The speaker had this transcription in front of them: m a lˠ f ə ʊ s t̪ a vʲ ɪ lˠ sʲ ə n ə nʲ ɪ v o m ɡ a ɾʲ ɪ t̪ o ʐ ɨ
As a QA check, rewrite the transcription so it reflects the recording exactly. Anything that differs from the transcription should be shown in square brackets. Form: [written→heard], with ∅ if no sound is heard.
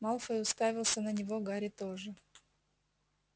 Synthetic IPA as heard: m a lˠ f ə ʊ s t̪ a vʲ ɪ lˠ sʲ ə n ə nʲ ɪ v o [m→∅] ɡ a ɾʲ ɪ t̪ o ʐ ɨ